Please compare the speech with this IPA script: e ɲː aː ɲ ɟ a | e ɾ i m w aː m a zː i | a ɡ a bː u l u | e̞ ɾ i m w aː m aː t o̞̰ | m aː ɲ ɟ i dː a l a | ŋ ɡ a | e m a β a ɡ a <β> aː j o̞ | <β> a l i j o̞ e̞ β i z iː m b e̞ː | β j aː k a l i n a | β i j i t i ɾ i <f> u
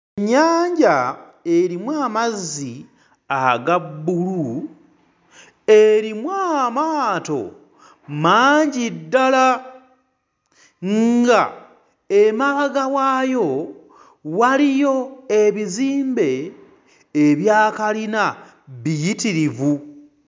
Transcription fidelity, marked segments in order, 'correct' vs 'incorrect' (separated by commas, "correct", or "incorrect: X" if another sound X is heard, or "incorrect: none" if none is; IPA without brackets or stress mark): incorrect: w, incorrect: w, incorrect: v